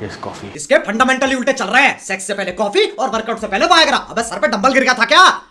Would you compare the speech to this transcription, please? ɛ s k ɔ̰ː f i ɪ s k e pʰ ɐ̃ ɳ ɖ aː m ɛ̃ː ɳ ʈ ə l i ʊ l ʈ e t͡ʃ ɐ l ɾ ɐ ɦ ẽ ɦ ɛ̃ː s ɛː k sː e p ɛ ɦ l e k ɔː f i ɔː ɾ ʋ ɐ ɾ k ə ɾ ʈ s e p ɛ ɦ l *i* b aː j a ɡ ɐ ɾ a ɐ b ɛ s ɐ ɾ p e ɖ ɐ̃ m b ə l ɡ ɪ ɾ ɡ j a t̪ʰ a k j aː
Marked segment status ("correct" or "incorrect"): incorrect